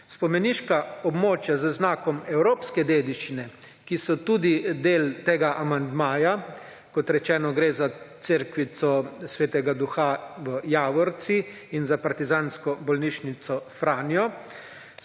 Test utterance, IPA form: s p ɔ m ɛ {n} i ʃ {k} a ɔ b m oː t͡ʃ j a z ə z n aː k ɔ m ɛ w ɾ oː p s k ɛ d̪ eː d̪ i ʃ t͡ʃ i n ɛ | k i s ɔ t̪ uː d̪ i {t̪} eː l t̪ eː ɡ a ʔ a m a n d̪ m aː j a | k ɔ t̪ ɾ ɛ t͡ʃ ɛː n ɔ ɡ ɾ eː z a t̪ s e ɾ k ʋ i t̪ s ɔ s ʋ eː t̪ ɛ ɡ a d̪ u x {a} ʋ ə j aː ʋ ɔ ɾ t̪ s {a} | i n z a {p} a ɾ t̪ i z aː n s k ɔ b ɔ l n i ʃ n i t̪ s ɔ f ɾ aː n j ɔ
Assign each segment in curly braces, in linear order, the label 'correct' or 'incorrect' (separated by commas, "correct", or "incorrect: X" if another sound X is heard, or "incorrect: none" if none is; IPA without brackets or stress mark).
correct, correct, incorrect: d̪, correct, incorrect: i, correct